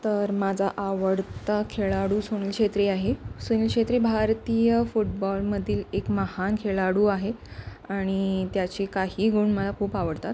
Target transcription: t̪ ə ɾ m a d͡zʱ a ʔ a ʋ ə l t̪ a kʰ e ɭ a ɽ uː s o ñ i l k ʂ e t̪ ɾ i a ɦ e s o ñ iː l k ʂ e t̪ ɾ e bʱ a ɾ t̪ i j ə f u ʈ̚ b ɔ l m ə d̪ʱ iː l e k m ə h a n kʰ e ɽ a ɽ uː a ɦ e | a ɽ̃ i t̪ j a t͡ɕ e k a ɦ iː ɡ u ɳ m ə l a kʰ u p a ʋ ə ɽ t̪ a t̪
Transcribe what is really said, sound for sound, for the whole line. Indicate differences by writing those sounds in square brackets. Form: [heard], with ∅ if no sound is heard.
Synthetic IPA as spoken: t̪ ə ɾ m a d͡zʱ a ʔ a ʋ ə [ɽ] t̪ a kʰ e ɭ a ɽ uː s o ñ i l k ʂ e t̪ ɾ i a ɦ e s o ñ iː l k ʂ e t̪ ɾ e bʱ a ɾ t̪ i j ə f u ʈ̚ b ɔ l m ə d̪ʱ iː l e k m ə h a n kʰ e [ɭ] a ɽ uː a ɦ e | a ɽ̃ i t̪ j a t͡ɕ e k a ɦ iː ɡ u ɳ m ə l a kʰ [uː] p a ʋ ə ɽ t̪ a t̪